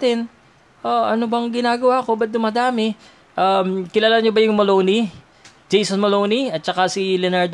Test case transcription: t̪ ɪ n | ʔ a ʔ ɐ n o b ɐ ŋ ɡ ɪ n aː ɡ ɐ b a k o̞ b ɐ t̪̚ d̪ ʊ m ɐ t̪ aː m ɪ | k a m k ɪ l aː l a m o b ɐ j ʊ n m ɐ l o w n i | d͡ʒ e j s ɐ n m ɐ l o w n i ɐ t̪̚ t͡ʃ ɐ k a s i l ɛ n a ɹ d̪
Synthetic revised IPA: t̪ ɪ n | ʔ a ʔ ɐ n o b ɐ ŋ ɡ ɪ n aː ɡ ɐ w a k o̞ b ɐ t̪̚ d̪ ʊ m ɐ d̪ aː m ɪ | ʔ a m k ɪ l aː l a ɲ o b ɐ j ʊ ŋ m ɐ l o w n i | d͡ʒ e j s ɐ n m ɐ l o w n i ɐ t̪̚ t͡ʃ ɐ k a s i l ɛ n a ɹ d̪